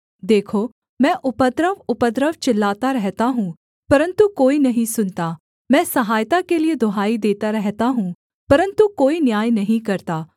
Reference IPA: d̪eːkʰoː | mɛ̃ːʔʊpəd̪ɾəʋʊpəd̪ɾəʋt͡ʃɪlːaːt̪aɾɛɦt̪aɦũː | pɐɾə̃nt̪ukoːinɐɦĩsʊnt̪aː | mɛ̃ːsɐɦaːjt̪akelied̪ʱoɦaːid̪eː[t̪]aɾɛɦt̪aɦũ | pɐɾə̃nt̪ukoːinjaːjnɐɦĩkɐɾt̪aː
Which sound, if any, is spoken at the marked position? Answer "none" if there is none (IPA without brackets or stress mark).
t̪